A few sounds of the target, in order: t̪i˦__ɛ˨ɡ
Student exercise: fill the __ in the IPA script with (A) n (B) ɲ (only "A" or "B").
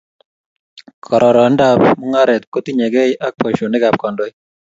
B